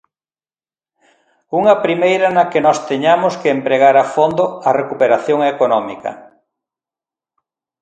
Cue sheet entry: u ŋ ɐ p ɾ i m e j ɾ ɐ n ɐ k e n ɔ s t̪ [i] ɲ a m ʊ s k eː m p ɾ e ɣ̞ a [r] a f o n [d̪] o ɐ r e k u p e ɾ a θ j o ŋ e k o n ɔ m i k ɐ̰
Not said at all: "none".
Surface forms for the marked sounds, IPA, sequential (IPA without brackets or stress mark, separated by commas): e, ɾ, d̪